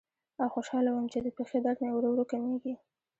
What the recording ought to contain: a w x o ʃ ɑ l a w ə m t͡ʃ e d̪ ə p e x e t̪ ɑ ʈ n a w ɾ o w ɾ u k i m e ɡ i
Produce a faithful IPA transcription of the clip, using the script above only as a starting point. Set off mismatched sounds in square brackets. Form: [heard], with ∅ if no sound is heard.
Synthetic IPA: a w x o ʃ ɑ l a w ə m t͡ʃ e d̪ ə p e x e [d̪] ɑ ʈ n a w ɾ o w ɾ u k [a] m e ɡ i

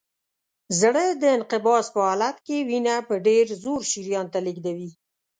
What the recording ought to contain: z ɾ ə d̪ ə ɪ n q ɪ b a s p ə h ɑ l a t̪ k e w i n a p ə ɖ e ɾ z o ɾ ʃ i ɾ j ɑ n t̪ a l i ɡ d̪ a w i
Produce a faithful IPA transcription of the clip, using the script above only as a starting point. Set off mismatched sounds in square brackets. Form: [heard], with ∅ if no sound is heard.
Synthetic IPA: z [ɽ] ə d̪ ə ɪ n q ɪ b [ɑ] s p ə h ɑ l a t̪ k e w i n a p ə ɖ e ɾ z o ɾ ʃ i ɾ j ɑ n t̪ a l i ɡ d̪ a w i

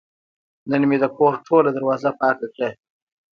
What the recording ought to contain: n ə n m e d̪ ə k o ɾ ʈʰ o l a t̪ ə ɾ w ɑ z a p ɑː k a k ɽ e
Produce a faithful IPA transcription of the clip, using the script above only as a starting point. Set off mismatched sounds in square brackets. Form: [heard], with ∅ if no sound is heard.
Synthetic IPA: n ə n m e d̪ ə k o ɾ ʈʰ o l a [d̪] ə ɾ w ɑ z a p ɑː k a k ɽ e

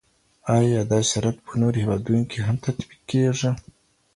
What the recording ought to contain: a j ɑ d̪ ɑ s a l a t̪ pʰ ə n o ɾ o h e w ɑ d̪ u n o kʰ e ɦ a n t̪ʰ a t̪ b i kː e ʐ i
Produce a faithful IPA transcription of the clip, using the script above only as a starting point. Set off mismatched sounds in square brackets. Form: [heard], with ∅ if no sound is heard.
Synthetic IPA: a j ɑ d̪ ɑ s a [ɾ] a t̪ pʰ ə n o ɾ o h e w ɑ d̪ u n o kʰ e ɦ a [m] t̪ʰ a t̪ b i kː e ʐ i

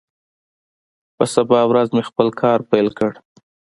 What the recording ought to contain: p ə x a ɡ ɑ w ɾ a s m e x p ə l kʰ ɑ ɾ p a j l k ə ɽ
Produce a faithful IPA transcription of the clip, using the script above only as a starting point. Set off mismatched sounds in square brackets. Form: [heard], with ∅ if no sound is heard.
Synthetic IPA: p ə [s] a [b] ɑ w ɾ a [z] m e x p ə l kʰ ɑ ɾ p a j l k ə ɽ

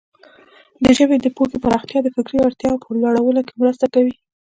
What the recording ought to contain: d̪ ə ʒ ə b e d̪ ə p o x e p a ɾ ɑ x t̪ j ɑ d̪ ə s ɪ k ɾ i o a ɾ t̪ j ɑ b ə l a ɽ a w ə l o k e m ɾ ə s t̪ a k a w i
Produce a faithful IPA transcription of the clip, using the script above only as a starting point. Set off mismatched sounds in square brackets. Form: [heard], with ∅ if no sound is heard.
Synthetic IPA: d̪ ə ʒ ə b e d̪ ə p o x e p a ɾ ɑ x t̪ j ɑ d̪ ə [f] ɪ k ɾ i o a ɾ t̪ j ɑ [p] ə l a ɽ a w ə l o k e m ɾ ə s t̪ a k a w i

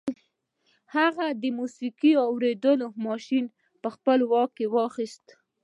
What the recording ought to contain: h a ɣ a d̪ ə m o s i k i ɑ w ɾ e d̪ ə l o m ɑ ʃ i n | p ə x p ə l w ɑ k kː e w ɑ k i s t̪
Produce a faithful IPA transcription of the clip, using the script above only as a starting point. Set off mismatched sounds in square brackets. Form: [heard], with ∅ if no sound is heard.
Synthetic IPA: h a ɣ a d̪ ə m [u] s i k i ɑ w ɾ e d̪ ə l o m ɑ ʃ i n | p ə x p ə l w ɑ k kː e w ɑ [x] i s t̪

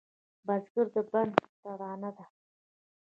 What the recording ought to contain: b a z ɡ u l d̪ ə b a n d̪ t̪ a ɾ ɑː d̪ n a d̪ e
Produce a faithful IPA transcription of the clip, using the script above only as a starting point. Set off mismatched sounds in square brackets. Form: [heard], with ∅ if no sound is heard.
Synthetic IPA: b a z ɡ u [ɾ] d̪ ə b a n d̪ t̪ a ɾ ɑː [∅] n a d̪ [a]

